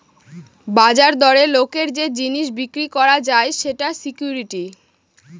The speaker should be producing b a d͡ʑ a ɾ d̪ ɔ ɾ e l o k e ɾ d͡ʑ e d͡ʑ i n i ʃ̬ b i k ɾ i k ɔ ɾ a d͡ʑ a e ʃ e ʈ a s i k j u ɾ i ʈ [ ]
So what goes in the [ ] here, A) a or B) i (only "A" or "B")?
B